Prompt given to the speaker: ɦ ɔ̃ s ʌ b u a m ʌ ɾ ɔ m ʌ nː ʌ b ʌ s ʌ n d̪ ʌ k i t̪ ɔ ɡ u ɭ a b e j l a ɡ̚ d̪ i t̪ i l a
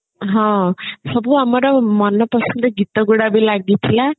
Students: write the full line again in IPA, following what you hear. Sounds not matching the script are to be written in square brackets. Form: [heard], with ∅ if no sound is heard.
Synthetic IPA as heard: ɦ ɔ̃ s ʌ b u a m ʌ ɾ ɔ m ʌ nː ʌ [p] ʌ s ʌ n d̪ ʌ [ɡ] i t̪ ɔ ɡ u [ɽ] a b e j l a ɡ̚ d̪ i [t̪ʰ] i l a